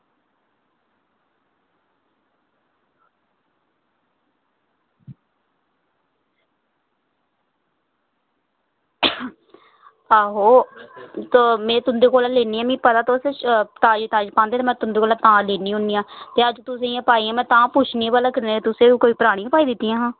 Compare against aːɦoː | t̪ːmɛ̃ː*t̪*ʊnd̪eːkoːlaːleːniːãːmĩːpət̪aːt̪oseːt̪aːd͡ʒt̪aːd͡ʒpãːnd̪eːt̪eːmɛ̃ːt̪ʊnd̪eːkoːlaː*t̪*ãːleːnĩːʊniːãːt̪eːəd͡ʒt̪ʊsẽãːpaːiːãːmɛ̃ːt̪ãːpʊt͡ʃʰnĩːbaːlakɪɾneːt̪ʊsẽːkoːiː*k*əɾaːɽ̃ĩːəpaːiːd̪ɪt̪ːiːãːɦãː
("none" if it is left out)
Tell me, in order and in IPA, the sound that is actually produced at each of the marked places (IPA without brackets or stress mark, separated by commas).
t̪, t̪, p